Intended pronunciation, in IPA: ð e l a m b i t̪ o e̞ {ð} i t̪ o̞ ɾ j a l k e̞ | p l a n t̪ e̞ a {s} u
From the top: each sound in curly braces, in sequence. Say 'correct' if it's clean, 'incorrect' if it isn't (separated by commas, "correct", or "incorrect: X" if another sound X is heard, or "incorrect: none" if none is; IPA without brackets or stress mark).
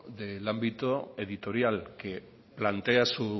correct, correct